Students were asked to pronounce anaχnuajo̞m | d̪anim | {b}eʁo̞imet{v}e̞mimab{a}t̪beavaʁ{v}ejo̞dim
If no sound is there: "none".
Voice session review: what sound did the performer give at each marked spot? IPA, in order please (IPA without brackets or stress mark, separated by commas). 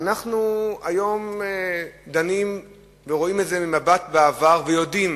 v, z, a, v